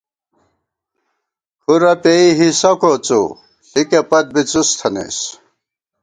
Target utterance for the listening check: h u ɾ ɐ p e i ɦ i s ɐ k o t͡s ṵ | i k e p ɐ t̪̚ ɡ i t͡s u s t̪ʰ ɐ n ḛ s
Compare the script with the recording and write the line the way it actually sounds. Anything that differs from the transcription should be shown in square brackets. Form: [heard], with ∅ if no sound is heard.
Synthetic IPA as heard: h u ɾ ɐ p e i ɦ i s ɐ k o t͡s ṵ | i k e p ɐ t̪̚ [b] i t͡s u s t̪ʰ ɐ n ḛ s